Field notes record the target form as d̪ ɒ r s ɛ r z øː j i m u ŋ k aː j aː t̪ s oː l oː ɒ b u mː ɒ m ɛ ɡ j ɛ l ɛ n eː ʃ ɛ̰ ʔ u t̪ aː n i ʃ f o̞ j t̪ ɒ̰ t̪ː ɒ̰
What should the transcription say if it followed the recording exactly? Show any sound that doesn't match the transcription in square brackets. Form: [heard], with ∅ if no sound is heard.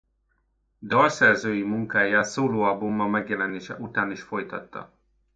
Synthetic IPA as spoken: d̪ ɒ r s ɛ r z øː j i m u ŋ k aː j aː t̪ s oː l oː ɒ b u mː ɒ m ɛ ɡ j ɛ l ɛ n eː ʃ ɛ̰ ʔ u t̪ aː n i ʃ f o̞ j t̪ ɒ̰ t̪ː ɒ̰